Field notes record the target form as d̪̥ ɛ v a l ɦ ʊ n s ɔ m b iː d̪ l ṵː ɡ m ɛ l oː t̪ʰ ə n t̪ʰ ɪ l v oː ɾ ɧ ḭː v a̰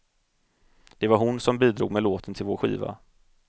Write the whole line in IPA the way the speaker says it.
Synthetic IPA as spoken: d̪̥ ɛ v a ɾ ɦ ʊ n s ɔ m b iː d̪ ɾ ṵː ɡ m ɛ l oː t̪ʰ ə n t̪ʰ ɪ l v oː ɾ ɧ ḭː v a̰